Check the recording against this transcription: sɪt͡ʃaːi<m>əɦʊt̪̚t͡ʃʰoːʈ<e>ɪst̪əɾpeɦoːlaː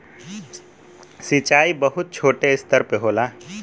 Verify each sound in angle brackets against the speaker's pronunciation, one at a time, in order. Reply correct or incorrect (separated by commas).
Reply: incorrect, correct